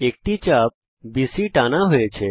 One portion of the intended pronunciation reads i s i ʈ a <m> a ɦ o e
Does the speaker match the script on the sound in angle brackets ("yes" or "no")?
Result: no